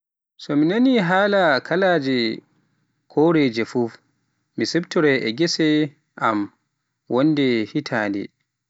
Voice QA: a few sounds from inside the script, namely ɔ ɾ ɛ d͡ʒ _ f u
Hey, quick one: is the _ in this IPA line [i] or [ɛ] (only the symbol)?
ɛ